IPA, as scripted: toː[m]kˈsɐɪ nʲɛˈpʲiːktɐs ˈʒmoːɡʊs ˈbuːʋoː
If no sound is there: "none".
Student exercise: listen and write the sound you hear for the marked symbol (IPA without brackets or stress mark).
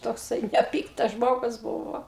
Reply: none